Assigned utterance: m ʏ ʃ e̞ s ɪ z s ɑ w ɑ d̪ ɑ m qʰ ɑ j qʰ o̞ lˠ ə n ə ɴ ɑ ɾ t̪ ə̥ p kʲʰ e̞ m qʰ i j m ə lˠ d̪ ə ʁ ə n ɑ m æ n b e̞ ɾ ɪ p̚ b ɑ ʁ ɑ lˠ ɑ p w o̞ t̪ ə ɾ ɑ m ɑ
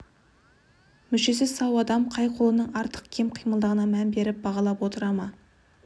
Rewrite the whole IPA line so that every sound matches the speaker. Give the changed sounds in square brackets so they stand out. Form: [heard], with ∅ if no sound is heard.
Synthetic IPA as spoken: m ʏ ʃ e̞ s ɪ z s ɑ w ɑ d̪ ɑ m qʰ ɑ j qʰ o̞ lˠ ə n ə ɴ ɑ ɾ t̪ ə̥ [q] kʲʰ e̞ m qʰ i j m ə lˠ d̪ ə ʁ ə n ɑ m æ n b e̞ ɾ ɪ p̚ b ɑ ʁ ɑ lˠ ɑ p w o̞ t̪ ə ɾ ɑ m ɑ